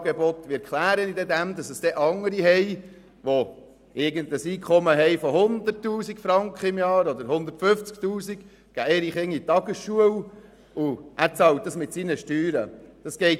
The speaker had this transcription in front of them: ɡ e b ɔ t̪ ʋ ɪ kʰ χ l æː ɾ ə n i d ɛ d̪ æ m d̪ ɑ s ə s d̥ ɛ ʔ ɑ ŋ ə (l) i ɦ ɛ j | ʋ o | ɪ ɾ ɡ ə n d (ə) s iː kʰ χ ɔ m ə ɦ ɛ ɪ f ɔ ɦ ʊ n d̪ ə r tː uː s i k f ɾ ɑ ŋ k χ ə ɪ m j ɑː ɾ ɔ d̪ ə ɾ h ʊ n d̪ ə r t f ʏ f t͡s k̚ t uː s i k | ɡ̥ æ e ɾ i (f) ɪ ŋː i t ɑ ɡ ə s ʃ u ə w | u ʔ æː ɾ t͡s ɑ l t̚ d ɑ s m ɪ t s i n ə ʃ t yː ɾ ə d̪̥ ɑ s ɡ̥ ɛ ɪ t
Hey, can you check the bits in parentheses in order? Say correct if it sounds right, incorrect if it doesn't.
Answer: incorrect: ɾ, correct, incorrect: χ

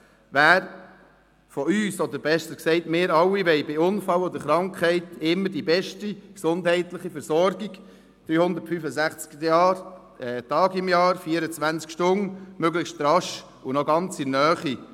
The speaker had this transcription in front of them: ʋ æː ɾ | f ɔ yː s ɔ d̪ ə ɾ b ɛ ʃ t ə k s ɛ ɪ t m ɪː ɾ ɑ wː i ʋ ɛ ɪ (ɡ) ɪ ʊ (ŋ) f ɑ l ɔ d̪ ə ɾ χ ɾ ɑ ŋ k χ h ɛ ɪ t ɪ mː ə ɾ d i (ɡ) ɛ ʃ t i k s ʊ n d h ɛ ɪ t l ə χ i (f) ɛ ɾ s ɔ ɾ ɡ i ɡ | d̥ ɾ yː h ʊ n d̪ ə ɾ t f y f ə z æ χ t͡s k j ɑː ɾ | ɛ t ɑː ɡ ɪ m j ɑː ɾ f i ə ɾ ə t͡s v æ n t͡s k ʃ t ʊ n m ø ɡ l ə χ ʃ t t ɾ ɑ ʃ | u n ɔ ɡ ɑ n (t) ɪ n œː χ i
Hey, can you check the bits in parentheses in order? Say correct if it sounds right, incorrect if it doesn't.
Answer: incorrect: b, incorrect: n, incorrect: b, correct, incorrect: t͡s

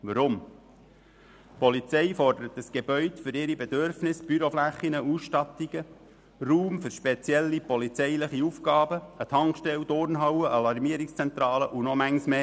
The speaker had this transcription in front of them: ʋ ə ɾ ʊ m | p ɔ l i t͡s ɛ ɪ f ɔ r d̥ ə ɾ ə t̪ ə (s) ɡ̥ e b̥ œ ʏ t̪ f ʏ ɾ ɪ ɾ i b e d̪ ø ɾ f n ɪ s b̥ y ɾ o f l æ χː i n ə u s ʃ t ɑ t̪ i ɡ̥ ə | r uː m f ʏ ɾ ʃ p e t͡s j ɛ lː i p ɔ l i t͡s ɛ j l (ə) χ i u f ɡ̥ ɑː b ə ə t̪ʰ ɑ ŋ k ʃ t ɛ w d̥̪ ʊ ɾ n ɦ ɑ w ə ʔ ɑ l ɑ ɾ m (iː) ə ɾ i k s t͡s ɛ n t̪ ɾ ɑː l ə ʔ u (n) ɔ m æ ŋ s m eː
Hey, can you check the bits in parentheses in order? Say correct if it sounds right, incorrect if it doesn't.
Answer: correct, correct, incorrect: i, correct

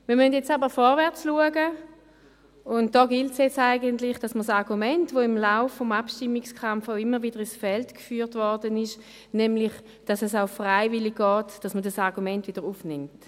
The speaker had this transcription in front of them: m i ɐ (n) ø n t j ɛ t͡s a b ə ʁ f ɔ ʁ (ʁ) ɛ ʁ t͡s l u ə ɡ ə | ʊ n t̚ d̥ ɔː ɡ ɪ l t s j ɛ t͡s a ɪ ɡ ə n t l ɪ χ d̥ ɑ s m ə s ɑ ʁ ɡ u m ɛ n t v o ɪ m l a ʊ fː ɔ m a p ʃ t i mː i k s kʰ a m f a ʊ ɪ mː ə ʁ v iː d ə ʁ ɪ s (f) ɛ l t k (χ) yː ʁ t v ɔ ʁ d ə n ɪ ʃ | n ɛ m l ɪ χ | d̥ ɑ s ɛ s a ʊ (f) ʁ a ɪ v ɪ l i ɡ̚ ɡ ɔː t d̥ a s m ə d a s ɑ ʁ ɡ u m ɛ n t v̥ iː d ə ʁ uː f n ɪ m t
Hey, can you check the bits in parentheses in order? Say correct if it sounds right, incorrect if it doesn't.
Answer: incorrect: m, incorrect: v, correct, incorrect: f, correct

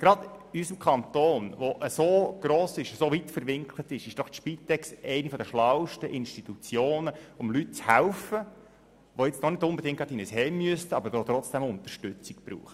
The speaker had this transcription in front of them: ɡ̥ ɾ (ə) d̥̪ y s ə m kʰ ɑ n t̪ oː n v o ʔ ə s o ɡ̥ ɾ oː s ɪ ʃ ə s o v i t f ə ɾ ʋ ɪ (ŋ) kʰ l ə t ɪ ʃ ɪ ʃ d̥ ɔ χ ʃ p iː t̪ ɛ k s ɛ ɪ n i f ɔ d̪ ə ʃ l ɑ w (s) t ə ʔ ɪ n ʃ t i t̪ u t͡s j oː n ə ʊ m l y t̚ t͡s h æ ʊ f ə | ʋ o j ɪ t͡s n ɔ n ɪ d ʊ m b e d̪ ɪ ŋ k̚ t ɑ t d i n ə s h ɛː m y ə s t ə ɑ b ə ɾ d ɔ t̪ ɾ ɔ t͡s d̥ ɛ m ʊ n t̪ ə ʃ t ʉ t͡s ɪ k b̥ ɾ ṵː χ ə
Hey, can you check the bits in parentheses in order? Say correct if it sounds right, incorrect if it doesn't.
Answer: incorrect: ɑ, correct, incorrect: ʃ

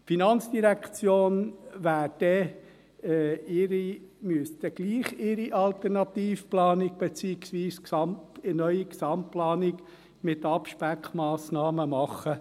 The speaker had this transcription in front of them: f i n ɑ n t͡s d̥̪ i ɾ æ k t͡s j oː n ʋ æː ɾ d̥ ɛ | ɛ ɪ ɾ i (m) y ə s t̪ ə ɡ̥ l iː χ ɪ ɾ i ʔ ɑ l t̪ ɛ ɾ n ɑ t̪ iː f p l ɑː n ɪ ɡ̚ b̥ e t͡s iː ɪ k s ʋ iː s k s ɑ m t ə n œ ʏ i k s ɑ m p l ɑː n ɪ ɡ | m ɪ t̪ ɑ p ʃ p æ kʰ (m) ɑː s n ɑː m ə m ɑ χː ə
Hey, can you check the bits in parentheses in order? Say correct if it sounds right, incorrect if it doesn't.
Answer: correct, correct

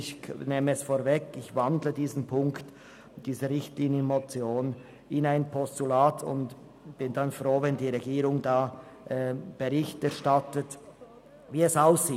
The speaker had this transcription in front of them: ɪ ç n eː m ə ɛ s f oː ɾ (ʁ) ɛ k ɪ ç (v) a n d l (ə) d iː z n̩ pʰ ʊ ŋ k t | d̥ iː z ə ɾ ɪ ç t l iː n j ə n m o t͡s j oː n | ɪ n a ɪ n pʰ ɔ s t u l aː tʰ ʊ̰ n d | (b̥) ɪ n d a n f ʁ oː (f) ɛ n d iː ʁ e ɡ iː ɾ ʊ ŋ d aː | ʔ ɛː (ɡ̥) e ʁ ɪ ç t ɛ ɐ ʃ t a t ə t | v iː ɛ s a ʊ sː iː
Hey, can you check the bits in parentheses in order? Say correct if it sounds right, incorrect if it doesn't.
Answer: incorrect: v, correct, correct, correct, incorrect: v, incorrect: b̥

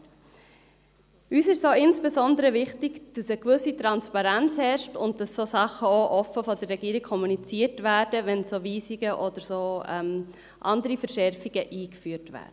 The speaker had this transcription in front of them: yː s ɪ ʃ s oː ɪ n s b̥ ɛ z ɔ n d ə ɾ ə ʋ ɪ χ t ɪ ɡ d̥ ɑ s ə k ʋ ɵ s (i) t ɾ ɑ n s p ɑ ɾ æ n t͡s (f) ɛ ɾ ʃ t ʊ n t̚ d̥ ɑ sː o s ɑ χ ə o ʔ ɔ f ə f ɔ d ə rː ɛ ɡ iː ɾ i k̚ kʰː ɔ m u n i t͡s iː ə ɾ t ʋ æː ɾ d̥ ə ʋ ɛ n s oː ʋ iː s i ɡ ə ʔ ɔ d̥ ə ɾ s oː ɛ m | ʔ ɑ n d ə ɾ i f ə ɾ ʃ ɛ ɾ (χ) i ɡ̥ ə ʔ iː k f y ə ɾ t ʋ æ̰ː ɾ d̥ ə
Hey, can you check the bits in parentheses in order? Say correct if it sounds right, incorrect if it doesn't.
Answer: correct, incorrect: h, incorrect: f

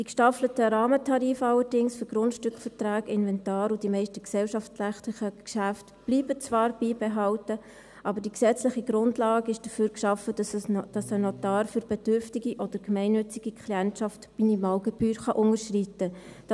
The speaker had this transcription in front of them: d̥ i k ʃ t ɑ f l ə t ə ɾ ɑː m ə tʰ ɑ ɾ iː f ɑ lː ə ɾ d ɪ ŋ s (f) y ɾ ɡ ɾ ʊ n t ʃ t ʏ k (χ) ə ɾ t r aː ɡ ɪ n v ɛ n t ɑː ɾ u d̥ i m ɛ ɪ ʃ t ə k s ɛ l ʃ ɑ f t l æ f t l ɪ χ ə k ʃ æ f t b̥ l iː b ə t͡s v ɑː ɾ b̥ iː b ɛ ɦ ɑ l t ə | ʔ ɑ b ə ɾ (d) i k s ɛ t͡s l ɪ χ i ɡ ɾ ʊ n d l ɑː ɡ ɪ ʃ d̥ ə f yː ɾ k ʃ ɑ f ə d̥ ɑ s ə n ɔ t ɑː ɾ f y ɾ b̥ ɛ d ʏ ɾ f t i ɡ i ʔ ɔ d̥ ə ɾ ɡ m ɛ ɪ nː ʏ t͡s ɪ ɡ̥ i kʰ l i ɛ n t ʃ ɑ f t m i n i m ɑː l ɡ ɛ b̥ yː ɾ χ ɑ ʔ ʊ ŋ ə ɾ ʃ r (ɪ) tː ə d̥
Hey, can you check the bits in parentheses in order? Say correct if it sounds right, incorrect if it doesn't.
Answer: correct, incorrect: f, correct, incorrect: i

